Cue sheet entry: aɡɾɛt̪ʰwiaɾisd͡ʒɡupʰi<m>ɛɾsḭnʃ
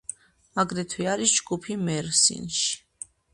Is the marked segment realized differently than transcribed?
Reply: no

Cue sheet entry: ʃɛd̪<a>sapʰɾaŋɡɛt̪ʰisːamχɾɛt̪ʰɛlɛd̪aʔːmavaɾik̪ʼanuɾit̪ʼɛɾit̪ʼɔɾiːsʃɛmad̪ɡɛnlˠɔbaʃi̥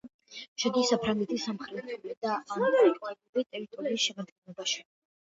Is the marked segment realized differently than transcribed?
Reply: yes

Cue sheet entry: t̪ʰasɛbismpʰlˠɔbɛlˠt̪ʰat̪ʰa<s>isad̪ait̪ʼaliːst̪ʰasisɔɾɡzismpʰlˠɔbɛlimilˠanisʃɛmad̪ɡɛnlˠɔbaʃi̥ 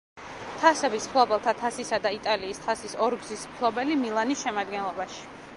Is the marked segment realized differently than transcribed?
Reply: no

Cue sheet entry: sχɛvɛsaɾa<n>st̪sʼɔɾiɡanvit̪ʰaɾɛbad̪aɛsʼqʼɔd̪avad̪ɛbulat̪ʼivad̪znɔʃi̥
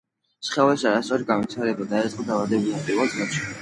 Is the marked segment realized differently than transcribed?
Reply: yes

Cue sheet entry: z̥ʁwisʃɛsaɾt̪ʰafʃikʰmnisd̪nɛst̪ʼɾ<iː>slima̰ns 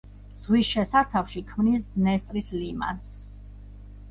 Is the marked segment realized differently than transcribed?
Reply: yes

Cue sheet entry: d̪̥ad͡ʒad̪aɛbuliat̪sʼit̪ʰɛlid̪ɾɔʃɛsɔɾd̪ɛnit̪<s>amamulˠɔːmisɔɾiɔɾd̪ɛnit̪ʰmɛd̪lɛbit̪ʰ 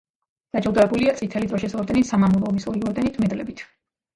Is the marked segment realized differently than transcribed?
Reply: no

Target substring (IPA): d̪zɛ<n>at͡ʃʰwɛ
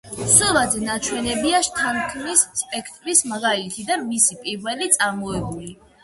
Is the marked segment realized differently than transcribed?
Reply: no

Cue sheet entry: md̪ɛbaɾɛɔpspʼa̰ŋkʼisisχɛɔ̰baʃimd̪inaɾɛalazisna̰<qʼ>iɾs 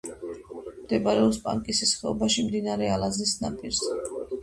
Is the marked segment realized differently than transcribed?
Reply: yes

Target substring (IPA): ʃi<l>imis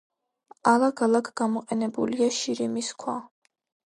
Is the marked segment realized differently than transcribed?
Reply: yes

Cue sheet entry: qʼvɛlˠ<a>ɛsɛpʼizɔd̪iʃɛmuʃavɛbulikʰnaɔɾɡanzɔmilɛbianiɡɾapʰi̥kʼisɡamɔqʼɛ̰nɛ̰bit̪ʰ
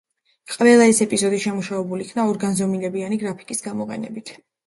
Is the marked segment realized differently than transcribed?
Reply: no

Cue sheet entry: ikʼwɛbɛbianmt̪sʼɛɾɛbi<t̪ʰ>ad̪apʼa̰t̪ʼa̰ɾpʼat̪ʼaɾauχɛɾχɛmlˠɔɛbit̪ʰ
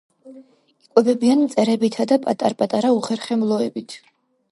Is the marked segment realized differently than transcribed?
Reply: no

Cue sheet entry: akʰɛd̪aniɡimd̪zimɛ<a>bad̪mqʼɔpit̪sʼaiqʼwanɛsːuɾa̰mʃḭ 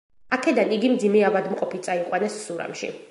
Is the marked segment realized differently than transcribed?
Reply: no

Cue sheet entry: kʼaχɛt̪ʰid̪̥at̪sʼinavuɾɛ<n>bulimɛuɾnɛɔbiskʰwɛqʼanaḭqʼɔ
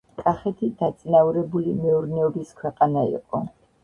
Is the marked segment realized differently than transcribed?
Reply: yes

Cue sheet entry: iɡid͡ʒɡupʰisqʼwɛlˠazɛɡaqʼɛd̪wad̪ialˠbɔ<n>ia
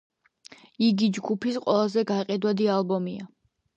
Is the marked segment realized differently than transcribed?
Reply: yes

